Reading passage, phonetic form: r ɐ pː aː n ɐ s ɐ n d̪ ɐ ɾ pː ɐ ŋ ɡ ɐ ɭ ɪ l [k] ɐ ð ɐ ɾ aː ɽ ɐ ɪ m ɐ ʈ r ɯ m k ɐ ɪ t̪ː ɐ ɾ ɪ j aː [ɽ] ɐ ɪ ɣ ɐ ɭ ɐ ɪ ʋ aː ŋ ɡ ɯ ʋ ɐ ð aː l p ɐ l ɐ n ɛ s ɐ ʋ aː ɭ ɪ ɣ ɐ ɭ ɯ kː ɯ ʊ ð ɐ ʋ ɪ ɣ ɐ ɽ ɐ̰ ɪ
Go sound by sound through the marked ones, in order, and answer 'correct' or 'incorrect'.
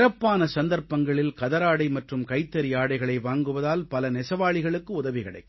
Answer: correct, correct

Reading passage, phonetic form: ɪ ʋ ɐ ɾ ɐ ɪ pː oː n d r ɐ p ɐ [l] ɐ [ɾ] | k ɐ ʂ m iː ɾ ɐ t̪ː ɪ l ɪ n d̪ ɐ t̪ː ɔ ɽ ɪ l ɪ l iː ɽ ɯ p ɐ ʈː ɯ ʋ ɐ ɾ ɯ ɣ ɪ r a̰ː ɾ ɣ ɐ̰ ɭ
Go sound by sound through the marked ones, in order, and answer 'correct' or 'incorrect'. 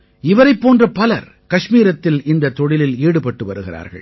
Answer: correct, correct

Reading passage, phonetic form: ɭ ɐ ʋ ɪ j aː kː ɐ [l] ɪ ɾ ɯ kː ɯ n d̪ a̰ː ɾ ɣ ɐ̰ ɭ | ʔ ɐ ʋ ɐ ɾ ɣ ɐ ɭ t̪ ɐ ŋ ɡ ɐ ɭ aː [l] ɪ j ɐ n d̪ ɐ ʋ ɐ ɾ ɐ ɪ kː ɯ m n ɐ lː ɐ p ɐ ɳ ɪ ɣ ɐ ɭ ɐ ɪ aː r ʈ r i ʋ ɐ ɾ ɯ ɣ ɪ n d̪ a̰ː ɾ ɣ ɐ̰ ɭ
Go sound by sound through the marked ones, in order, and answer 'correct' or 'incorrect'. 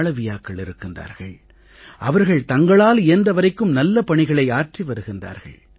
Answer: incorrect, correct

